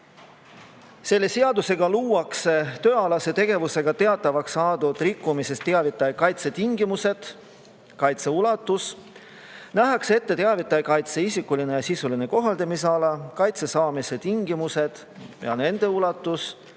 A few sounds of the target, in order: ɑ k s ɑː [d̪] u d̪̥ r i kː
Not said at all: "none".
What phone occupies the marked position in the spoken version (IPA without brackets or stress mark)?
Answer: d̪